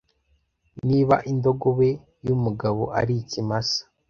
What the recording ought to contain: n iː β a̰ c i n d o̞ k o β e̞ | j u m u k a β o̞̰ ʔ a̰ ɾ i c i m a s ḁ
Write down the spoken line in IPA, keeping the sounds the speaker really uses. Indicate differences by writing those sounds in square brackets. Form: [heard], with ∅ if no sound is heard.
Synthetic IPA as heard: n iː β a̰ [ʔ] i n d o̞ [ɡ] o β e̞ | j u m u [ɡ] a β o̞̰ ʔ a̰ ɾ i c i m a s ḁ